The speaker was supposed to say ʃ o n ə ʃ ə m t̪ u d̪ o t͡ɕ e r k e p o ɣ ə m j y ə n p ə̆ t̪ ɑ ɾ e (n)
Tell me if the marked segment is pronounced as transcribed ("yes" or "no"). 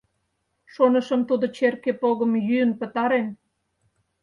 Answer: yes